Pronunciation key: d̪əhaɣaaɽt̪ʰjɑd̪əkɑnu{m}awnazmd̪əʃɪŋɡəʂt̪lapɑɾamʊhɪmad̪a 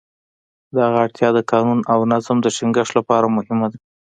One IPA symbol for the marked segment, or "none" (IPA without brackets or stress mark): n